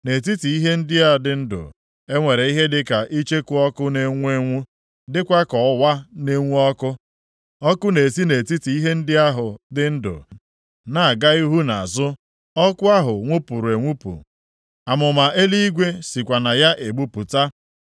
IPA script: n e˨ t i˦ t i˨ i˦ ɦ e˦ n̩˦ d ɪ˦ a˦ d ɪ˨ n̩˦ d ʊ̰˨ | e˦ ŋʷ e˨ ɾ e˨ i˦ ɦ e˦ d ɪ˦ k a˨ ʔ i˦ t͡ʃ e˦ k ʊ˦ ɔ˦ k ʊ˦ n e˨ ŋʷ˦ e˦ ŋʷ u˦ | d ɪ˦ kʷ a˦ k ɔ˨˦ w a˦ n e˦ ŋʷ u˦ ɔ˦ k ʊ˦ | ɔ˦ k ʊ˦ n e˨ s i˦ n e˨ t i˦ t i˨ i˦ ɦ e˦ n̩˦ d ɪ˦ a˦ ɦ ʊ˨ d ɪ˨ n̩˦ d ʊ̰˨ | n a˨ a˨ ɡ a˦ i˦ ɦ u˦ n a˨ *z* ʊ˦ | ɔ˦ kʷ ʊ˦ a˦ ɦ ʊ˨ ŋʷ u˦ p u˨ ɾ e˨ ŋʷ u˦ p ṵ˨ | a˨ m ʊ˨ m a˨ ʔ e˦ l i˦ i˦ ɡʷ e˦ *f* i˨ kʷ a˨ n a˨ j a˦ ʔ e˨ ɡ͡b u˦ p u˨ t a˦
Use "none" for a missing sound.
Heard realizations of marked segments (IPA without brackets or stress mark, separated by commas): z, s